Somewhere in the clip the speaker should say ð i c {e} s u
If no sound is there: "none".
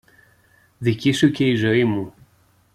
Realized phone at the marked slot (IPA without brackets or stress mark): i